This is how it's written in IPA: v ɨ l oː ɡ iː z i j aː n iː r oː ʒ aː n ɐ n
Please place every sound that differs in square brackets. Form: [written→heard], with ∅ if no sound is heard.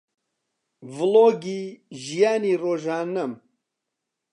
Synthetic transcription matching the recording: v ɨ l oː ɡ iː [z→ʒ] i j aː n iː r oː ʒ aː n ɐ [n→m]

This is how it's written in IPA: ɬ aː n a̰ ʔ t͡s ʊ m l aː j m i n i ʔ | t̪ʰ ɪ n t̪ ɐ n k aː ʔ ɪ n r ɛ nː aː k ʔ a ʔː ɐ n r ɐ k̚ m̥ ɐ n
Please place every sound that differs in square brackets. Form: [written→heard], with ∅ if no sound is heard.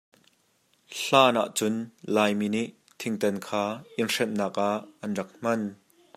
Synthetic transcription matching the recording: ɬ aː n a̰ ʔ t͡s ʊ [m→n] l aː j m i n i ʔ | t̪ʰ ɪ [n→ŋ] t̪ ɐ n [k→kʰ] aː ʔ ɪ n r ɛ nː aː k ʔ a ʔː ɐ n r ɐ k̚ m̥ ɐ n

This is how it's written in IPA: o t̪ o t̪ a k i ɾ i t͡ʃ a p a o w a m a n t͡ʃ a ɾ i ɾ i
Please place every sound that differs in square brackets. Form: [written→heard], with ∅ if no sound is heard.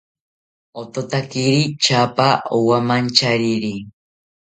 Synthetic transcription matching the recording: o t̪ o t̪ a k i ɾ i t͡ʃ a p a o w a m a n t͡ʃ a ɾ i ɾ i

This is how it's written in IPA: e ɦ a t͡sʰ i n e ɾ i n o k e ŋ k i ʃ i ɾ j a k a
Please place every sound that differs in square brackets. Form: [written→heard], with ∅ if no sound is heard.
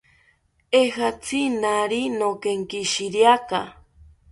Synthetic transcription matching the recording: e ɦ a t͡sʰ i n [e→a] ɾ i n o k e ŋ k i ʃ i ɾ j a k a

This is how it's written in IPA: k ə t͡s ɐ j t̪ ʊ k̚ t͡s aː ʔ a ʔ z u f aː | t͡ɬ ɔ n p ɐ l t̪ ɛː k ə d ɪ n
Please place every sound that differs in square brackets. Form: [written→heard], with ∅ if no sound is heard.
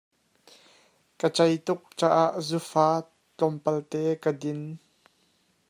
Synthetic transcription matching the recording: k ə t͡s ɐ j t̪ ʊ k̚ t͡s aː ʔ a ʔ z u f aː | t͡ɬ ɔ [n→m] p ɐ l t̪ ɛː k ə d ɪ n

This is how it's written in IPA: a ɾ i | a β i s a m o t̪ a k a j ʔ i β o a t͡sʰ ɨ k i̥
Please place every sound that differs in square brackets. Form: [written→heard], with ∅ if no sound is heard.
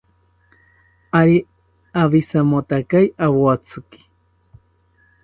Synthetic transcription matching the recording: a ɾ i | a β i s a m o t̪ a k a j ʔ [i→a] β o a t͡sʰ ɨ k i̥

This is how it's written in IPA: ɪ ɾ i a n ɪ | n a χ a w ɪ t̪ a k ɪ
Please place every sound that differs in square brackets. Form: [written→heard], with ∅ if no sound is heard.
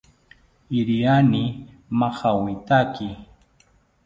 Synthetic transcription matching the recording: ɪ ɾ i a n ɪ | [n→m] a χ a w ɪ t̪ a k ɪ

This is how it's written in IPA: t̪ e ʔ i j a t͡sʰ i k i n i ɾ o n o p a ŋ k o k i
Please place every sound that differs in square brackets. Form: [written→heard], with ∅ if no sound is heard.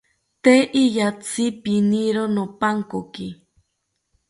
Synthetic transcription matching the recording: t̪ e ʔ i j a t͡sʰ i [k→p] i n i ɾ o n o p a ŋ k o k i

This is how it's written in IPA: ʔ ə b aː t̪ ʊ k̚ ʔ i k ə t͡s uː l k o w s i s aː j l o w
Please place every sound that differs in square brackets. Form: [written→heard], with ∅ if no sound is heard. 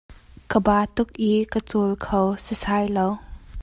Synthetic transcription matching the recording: [ʔ→k] ə b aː t̪ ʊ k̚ ʔ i k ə t͡s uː l [k→kʰ] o w s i s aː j l o w

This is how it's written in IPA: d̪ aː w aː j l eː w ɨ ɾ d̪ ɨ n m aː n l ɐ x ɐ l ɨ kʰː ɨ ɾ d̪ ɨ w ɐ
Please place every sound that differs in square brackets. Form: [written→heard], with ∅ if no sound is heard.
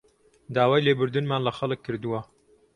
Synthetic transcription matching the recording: d̪ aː w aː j l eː [w→b] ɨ ɾ d̪ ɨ n m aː n l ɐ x ɐ l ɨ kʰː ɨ ɾ d̪ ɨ w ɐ

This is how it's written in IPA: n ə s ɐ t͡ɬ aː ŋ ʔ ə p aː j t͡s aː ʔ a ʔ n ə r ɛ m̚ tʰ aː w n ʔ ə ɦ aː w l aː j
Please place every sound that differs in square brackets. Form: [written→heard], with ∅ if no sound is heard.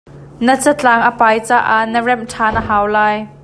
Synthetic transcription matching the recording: n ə [s→t͡s] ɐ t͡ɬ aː ŋ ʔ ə p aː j t͡s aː ʔ a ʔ n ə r ɛ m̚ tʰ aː [w→∅] n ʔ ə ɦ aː w l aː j

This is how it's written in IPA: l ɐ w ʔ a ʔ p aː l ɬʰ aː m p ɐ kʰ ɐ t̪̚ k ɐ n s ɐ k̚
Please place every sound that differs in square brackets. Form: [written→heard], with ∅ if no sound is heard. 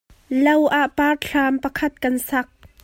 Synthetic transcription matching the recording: l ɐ w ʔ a ʔ p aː [l→r] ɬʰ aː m p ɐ kʰ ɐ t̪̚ k ɐ n s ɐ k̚

